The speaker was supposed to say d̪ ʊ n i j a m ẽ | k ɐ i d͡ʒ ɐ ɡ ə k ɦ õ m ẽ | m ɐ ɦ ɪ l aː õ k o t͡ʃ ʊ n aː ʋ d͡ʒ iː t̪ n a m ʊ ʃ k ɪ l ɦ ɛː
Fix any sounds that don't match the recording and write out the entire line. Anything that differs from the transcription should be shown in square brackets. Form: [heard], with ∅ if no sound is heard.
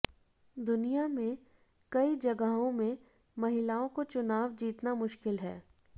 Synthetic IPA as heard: d̪ ʊ n i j a m ẽ | k ɐ i d͡ʒ ɐ ɡ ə [∅] ɦ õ m ẽ | m ɐ ɦ ɪ l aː õ k o t͡ʃ ʊ n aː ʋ d͡ʒ iː t̪ n a m ʊ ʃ k ɪ l ɦ ɛː